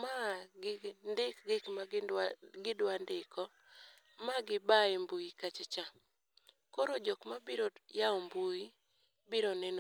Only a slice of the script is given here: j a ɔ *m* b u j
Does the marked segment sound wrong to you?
no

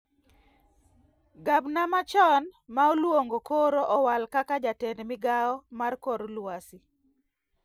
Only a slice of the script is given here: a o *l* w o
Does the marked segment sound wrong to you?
no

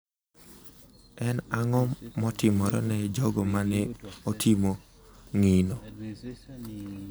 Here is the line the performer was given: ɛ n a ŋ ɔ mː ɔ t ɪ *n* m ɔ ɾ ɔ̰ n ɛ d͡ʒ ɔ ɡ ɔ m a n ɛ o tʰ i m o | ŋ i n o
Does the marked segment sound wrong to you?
yes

